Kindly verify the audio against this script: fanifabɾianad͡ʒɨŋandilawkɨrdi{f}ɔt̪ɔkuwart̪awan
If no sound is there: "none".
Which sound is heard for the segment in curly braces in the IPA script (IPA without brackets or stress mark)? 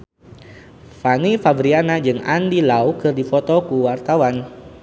f